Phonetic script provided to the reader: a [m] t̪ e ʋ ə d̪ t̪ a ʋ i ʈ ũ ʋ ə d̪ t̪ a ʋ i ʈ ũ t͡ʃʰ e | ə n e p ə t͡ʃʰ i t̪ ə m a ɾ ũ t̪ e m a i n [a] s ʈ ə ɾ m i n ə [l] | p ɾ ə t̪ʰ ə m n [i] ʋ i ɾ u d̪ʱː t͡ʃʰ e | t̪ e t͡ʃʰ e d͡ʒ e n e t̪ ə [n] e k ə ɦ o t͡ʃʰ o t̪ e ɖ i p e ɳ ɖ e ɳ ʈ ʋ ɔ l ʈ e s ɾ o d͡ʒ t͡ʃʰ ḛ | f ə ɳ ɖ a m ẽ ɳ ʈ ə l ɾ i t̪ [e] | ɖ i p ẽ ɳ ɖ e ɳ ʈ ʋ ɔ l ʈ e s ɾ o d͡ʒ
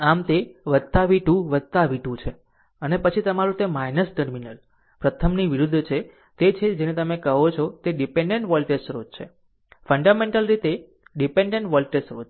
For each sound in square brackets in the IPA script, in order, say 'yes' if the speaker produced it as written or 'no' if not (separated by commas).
yes, no, yes, yes, no, yes